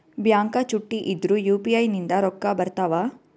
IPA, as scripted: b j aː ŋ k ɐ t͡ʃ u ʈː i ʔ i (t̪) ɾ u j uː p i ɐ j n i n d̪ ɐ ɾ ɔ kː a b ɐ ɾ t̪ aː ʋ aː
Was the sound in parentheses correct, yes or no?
no